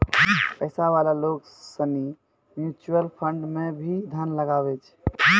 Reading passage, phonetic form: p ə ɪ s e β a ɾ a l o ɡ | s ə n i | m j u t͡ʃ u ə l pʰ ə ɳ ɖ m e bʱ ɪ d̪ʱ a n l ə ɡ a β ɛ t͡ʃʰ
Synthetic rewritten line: p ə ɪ s a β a l a l o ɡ | s ə n i | m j u t͡ʃ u ə l pʰ ə ɳ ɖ m e bʱ i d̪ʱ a n l ə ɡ a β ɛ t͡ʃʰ